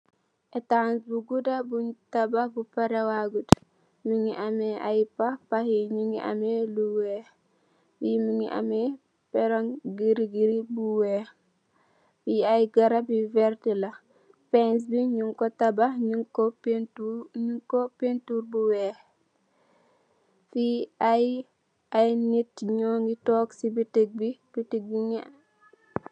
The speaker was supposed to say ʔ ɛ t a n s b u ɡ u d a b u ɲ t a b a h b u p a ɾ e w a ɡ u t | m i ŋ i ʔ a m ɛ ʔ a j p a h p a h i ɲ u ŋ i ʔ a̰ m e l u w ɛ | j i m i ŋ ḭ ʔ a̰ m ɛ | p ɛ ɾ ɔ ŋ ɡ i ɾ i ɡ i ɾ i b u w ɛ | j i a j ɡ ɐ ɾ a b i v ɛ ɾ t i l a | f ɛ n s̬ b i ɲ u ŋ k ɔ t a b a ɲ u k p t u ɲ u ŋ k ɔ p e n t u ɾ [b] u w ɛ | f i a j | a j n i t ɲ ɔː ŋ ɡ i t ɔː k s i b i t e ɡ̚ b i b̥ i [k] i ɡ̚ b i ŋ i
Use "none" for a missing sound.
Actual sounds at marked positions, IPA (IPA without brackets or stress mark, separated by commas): b, t